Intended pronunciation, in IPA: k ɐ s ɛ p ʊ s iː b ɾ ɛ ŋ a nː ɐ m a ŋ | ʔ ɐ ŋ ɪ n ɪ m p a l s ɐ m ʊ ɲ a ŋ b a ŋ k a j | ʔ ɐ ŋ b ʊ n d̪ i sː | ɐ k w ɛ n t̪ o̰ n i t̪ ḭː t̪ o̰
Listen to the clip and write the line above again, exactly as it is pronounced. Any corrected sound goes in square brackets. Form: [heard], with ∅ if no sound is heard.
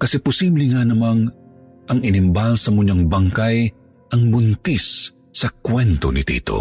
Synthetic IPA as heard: k ɐ s ɛ p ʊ s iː b [l] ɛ ŋ a [n] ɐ m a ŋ | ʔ ɐ ŋ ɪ n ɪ m [b] a l s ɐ m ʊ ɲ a ŋ b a ŋ k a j | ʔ ɐ ŋ b ʊ n [t̪] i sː | ɐ k w ɛ n t̪ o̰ n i t̪ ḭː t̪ o̰